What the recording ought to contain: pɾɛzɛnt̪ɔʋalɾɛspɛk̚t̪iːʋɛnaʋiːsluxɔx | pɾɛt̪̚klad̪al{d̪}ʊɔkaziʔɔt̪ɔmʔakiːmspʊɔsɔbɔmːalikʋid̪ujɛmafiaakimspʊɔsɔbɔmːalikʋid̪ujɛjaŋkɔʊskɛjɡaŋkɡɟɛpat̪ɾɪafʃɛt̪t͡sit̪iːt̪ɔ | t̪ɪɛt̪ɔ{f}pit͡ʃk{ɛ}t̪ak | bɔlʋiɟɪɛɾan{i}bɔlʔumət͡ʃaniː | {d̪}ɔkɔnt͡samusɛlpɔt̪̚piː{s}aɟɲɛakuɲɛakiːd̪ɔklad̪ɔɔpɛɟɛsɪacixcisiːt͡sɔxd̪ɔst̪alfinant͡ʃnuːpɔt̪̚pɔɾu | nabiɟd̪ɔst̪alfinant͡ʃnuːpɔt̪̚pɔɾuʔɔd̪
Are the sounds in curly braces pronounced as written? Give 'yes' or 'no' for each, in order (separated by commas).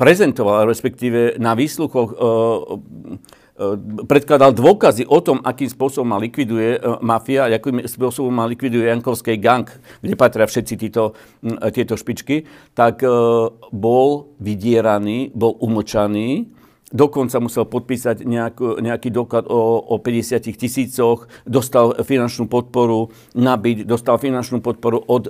yes, no, no, no, yes, yes